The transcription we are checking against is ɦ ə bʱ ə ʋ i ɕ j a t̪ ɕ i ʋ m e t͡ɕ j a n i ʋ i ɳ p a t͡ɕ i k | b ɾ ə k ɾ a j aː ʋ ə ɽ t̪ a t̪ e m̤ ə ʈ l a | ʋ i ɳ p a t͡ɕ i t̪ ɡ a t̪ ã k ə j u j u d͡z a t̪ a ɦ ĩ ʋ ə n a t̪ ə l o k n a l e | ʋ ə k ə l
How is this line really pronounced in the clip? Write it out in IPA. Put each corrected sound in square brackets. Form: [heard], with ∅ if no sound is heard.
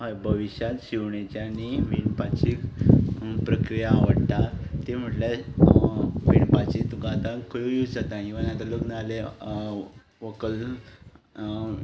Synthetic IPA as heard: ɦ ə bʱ ə ʋ i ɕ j a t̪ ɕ i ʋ [ɳ] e t͡ɕ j a n i ʋ i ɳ p a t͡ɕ i k | [p] ɾ ə k ɾ [i] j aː ʋ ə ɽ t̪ a t̪ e m̤ ə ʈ l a | ʋ i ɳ p a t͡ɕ i t̪ ɡ a t̪ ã k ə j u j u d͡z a t̪ a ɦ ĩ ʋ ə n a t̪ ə l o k n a l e | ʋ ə k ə l

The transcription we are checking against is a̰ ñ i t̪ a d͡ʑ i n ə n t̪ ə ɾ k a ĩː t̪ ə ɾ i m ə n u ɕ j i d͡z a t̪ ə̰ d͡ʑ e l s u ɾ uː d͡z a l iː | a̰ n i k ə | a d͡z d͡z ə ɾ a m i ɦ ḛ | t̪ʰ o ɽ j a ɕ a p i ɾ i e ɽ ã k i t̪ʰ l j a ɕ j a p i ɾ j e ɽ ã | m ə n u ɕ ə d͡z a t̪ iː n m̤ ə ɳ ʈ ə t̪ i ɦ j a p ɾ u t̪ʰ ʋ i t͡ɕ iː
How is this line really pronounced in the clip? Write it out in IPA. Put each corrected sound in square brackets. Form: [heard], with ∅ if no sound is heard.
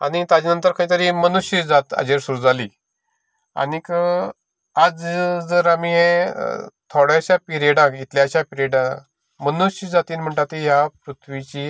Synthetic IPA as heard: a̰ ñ i t̪ a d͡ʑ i n ə n t̪ ə ɾ k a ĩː t̪ ə ɾ i m ə n u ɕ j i d͡z a t̪ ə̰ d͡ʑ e [ɾ] s u ɾ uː d͡z a l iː | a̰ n i k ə | a d͡z d͡z ə ɾ a m i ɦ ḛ | t̪ʰ o ɽ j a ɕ a p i ɾ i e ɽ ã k i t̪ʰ l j a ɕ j a p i ɾ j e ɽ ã | m ə n u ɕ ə d͡z a t̪ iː n m̤ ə ɳ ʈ [a] t̪ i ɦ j a p ɾ u t̪ʰ ʋ i t͡ɕ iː

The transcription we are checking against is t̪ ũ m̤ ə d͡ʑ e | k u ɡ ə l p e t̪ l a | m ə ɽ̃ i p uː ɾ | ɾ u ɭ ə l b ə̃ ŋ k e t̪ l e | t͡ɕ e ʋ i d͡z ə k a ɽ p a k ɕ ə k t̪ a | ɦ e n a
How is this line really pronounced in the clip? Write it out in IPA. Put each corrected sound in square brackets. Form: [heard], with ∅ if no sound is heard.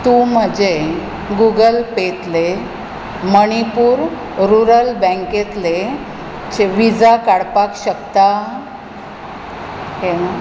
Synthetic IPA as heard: t̪ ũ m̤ ə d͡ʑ e | [ɡ] u ɡ ə l p e t̪ l [e] | m ə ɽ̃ i p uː ɾ | ɾ u [ɾ] ə l b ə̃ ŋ k e t̪ l e | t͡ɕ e ʋ i d͡z [a] k a ɽ p a k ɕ ə k t̪ a | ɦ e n a

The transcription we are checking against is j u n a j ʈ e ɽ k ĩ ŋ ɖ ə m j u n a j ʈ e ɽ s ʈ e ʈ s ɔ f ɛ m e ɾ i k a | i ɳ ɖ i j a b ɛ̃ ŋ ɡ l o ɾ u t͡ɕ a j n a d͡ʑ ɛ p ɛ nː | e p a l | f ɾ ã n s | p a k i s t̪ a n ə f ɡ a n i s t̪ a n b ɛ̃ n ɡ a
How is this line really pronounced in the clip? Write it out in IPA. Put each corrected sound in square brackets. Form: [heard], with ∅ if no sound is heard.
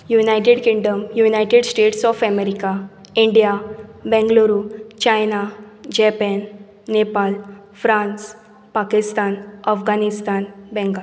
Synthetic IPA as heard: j u n a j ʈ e ɽ k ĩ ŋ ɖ ə m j u n a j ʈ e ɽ s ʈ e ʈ s ɔ f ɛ m e ɾ i k a | i ɳ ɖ i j a b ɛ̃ ŋ ɡ l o ɾ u t͡ɕ a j n a d͡ʑ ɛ p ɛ nː | e p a l | f ɾ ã n s | p a k i s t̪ a n ə f ɡ a n i s t̪ a n b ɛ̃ [ŋ] ɡ a

